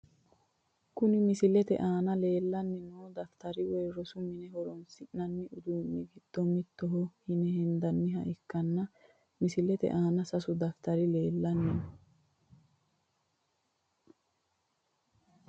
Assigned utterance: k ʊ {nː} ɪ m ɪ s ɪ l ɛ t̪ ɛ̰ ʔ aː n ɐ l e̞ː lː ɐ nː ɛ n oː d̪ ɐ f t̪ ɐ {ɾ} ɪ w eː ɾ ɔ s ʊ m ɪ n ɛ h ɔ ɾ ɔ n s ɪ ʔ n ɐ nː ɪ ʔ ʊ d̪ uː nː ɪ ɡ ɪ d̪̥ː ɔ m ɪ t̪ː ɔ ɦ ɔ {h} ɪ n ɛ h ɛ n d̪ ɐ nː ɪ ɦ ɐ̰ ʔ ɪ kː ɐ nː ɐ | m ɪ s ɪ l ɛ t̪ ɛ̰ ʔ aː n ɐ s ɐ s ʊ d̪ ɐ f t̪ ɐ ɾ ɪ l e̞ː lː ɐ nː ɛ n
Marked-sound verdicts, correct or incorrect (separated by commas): incorrect, correct, correct